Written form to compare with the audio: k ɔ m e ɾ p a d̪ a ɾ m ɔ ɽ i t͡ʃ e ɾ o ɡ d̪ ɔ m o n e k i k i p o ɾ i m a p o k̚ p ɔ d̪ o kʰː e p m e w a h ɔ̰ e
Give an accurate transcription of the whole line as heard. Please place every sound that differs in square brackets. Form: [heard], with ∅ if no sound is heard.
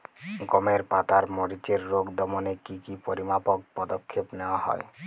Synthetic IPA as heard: [ɡ] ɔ m e ɾ p a [t̪] a ɾ m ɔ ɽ i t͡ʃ e [ɾː] o ɡ d̪ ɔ m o n e k i k i p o ɾ i m a p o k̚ p ɔ d̪ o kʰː e p [n] e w a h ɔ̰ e